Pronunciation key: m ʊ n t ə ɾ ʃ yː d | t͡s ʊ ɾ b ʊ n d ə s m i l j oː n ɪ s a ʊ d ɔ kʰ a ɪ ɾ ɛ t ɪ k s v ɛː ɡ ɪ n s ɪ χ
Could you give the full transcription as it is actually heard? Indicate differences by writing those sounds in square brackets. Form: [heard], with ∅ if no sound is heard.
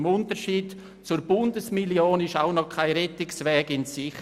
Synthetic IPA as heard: m ʊ n t ə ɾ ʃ [iː] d | t͡s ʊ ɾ b ʊ n d ə s m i l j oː n ɪ [ʃ] a ʊ [n] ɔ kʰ a ɪ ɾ ɛ t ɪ k s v ɛː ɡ ɪ n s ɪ χ